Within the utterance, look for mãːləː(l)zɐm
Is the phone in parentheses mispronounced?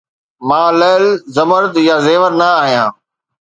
no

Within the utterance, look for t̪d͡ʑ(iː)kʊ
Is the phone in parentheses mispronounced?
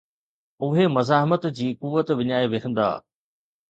no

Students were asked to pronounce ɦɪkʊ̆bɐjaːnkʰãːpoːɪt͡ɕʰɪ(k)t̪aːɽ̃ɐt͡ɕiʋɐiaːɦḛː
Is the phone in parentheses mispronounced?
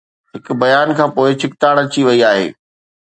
no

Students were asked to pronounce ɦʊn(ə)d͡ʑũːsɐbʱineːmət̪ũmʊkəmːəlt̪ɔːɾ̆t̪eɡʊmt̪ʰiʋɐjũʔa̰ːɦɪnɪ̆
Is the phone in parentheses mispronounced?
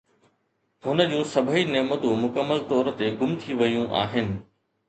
no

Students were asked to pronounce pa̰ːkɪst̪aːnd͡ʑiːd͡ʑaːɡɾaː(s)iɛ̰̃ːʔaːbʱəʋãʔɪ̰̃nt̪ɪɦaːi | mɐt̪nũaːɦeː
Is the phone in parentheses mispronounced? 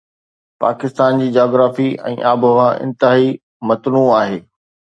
yes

